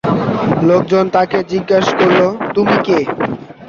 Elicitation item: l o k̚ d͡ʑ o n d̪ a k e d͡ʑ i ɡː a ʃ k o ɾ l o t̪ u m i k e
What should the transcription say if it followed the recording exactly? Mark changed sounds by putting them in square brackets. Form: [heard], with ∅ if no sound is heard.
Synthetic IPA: l o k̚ d͡ʑ o n [t̪] a k e d͡ʑ i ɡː a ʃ k o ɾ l o t̪ u m i k e

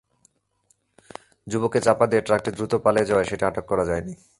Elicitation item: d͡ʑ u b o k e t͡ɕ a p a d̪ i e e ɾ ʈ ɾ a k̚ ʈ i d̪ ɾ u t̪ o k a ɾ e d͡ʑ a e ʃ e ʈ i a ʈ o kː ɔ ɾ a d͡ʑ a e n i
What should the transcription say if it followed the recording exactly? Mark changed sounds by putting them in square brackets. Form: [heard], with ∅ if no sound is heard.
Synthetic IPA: d͡ʑ u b o k e t͡ɕ a p a d̪ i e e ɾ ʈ ɾ a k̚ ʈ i d̪ ɾ u t̪ o [p] a [l] e d͡ʑ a e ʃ e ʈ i a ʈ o kː ɔ ɾ a d͡ʑ a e n i

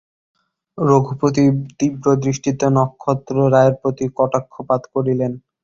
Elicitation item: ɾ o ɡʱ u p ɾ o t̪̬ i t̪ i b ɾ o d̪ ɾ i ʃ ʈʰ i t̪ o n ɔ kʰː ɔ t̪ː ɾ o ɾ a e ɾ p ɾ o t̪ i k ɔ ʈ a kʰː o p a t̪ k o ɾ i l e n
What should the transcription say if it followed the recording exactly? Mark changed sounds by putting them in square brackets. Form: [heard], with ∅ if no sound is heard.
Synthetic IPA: ɾ o ɡʱ u p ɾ o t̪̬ i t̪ i b ɾ o d̪ ɾ i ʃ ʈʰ i t̪ o n ɔ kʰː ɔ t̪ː ɾ o ɾ a e ɾ p ɾ o t̪ i k ɔ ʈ a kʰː o p a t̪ k o ɾ i l e n

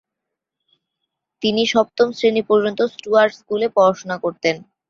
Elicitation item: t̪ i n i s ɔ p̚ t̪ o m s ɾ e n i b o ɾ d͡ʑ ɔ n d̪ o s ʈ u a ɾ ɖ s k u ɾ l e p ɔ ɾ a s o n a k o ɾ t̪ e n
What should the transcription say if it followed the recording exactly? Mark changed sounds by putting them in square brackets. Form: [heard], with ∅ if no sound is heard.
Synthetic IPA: t̪ i n i [ʃ] ɔ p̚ t̪ o m s ɾ e n i [p] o ɾ d͡ʑ [o] n [t̪] o s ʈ u a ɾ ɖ s k u [∅] l e p ɔ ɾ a [ʃ] o n a k o ɾ t̪ e n

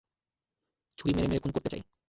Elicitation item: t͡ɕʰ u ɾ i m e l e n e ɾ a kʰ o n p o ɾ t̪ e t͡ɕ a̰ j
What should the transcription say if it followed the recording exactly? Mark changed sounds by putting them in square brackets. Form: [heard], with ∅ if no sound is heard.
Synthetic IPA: t͡ɕʰ u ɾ i m e [ɾ] e [m] e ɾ [e] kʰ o n [k] o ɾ t̪ e t͡ɕ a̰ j

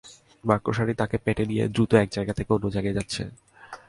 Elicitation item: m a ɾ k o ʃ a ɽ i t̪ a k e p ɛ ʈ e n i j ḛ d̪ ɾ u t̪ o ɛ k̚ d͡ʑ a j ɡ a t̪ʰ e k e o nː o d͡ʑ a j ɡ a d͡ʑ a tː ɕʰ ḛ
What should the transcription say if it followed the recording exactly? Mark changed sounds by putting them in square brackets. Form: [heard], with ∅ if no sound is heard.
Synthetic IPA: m a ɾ k o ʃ a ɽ i t̪ a k e p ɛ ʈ e n i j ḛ d̪ ɾ u t̪ o ɛ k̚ d͡ʑ a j ɡ a t̪ʰ e k e o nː o d͡ʑ a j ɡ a d͡ʑ a tː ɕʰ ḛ

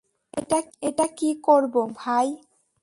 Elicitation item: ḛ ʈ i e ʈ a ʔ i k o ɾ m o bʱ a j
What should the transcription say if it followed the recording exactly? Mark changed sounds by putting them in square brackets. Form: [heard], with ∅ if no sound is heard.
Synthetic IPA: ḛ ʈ [a] e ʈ a [k] i k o ɾ [b] o bʱ a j

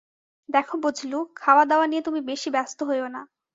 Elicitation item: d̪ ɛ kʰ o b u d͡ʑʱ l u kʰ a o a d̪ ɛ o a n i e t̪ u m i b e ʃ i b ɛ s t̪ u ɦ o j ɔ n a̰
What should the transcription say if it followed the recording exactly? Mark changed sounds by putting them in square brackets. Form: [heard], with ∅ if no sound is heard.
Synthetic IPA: d̪ ɛ kʰ o b u d͡ʑʱ l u kʰ a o a d̪ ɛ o a n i e t̪ u m i b e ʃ i b ɛ s t̪ [o] ɦ o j [o] n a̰

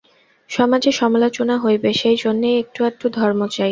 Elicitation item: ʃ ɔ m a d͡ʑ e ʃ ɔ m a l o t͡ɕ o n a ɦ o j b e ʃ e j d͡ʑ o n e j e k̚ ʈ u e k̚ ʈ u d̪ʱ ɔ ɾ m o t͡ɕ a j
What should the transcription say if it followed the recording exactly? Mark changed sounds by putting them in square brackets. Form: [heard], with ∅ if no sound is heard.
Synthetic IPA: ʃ ɔ m a d͡ʑ e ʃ ɔ m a l o t͡ɕ o n a ɦ o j b e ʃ e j d͡ʑ o [nː] e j e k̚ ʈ u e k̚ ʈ u d̪ʱ ɔ ɾ m o t͡ɕ a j

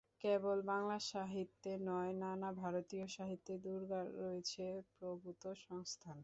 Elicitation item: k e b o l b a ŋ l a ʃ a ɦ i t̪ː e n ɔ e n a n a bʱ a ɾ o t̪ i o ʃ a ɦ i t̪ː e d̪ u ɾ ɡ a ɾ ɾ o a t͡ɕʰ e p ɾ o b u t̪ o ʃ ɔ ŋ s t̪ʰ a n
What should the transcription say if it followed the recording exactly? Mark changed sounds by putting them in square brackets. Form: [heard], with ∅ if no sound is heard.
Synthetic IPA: k e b o l b a ŋ l a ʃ a ɦ i t̪ː e n ɔ e n a n a bʱ a ɾ o t̪ i o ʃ a ɦ i t̪ː e d̪ u ɾ ɡ a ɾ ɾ o [e] t͡ɕʰ e p ɾ o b u t̪ o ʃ ɔ ŋ s t̪ʰ a n

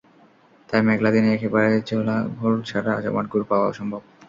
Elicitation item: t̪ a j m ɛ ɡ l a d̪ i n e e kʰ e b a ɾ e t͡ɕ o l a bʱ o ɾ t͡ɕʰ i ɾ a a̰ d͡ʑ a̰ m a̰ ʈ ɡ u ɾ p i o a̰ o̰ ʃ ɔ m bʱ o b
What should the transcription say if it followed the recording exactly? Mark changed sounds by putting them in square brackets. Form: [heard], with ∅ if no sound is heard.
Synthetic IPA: t̪ a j m ɛ ɡ l a d̪ i n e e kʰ e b a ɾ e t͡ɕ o l a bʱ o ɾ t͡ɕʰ [a] ɾ a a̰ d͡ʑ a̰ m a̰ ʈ ɡ u ɾ p [a] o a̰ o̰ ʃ ɔ m bʱ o b

